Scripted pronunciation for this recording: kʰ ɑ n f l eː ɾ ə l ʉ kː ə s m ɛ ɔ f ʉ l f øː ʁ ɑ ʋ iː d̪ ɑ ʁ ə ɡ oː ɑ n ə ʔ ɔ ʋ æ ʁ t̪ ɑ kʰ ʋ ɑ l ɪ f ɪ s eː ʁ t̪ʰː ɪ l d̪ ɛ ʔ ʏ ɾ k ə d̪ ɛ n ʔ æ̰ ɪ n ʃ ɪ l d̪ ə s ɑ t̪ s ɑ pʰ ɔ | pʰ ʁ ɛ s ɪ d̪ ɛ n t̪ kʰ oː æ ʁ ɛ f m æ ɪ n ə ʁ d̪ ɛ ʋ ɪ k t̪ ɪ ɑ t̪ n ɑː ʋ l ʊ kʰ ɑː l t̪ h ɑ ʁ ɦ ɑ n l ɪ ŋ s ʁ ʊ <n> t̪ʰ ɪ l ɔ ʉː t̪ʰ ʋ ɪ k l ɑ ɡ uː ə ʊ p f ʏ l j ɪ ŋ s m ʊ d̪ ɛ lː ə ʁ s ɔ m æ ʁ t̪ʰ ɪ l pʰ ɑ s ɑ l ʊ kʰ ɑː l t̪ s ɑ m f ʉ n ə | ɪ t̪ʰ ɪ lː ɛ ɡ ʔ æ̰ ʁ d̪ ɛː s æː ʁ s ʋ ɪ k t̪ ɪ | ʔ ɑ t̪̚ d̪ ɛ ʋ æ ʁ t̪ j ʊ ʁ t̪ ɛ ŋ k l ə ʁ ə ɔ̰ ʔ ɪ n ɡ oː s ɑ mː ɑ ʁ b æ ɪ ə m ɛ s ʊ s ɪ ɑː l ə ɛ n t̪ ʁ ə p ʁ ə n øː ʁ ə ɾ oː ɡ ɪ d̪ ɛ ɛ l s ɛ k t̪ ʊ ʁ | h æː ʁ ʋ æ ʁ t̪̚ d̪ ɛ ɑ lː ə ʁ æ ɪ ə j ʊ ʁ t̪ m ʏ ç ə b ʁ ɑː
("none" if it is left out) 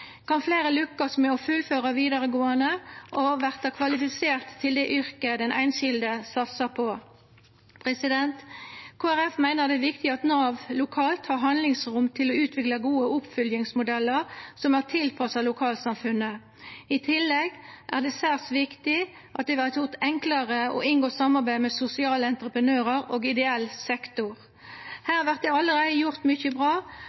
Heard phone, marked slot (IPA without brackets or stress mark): m